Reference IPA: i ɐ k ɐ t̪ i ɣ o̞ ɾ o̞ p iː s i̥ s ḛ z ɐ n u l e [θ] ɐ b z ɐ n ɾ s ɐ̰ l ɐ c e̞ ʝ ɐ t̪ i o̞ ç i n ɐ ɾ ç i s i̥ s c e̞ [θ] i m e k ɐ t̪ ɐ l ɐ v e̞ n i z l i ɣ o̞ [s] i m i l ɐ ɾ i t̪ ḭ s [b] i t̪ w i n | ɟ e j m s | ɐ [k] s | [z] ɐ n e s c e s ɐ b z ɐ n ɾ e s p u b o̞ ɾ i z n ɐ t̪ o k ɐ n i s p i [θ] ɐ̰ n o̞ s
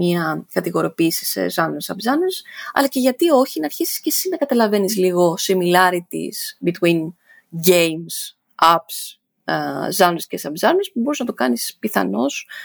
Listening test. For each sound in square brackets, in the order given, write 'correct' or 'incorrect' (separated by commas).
incorrect, incorrect, correct, correct, incorrect, correct, correct